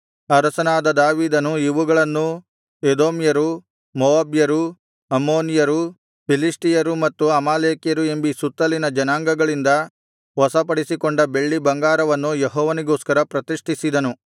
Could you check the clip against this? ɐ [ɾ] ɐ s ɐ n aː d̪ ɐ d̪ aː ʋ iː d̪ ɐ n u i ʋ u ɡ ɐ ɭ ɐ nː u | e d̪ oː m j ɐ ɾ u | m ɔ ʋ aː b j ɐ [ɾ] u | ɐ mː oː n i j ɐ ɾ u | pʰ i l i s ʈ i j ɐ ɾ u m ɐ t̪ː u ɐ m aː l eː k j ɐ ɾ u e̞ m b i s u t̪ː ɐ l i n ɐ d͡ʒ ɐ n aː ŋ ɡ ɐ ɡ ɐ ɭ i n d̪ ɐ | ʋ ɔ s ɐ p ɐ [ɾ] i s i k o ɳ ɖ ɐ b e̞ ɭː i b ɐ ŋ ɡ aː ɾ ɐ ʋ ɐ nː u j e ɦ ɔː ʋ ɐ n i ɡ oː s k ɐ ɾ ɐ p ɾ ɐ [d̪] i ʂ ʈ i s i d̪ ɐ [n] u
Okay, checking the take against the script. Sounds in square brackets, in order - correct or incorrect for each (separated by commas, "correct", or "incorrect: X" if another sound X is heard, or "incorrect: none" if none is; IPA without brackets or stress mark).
correct, correct, incorrect: ɽ, incorrect: t̪, correct